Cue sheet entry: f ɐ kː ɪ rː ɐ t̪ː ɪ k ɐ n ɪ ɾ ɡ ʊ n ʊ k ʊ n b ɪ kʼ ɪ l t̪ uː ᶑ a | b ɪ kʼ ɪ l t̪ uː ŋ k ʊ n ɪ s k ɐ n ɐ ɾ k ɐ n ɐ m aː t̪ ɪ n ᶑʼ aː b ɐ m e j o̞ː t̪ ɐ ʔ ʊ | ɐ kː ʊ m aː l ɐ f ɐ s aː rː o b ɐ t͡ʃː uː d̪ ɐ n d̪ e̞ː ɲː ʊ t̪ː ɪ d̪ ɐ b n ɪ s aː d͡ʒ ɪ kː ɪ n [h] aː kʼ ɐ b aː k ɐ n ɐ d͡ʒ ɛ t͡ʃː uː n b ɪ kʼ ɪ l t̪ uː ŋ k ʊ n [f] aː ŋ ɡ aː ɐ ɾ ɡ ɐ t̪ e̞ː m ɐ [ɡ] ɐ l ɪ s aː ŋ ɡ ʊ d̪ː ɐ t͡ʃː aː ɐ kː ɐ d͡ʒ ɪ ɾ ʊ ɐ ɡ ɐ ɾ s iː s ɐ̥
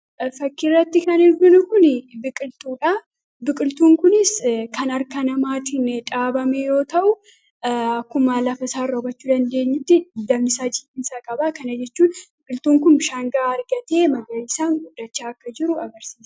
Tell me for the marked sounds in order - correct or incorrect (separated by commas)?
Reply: incorrect, incorrect, correct